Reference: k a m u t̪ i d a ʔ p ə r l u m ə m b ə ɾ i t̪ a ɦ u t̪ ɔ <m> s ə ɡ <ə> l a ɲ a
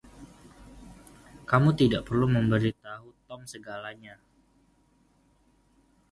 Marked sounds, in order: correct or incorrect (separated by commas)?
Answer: correct, incorrect